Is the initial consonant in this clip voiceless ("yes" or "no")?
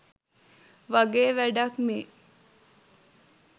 no